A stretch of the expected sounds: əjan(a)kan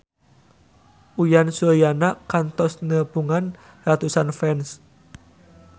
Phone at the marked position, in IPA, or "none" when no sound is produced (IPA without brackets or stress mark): a